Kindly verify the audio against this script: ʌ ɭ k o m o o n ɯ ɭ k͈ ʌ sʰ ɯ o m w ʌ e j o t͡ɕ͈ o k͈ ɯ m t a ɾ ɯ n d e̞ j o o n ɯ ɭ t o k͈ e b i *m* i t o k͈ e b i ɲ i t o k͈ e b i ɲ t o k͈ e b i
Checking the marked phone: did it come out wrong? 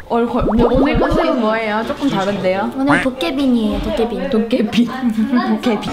yes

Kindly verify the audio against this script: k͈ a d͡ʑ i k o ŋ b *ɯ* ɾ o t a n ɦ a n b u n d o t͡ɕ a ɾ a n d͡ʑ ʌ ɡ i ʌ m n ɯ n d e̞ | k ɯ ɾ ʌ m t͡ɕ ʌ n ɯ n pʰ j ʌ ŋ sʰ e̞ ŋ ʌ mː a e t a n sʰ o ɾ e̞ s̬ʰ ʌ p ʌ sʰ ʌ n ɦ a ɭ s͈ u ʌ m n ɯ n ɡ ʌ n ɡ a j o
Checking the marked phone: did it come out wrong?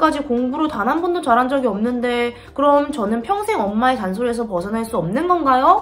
yes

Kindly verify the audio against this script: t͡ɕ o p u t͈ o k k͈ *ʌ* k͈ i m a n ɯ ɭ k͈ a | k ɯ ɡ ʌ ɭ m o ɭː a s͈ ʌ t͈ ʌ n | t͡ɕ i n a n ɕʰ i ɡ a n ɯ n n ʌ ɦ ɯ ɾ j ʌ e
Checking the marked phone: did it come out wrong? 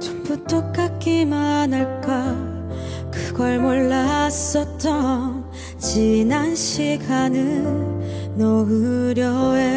yes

